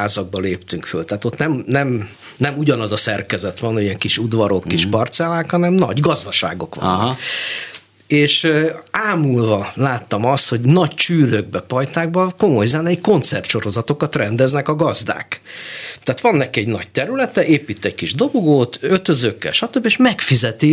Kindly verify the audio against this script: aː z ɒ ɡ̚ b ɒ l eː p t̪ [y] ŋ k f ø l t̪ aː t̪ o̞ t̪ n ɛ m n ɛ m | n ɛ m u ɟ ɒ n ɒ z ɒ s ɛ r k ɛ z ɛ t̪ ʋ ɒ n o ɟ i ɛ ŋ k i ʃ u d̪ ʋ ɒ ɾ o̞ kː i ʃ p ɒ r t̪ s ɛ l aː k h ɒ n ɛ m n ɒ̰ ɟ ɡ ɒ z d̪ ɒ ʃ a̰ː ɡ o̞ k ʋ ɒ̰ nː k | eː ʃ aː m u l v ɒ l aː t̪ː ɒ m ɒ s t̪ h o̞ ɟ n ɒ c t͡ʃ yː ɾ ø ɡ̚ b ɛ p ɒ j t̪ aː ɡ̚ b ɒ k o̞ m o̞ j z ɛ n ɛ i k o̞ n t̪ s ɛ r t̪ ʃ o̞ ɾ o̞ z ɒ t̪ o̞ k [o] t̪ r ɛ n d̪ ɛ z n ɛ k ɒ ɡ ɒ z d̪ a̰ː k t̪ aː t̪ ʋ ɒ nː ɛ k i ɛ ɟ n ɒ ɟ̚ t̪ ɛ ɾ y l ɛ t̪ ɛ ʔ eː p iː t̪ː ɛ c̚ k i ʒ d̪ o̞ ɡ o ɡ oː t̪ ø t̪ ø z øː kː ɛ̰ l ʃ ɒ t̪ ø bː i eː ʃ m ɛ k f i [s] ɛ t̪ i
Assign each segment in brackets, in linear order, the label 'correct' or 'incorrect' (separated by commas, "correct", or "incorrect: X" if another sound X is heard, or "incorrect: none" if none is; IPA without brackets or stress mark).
correct, incorrect: ɒ, incorrect: z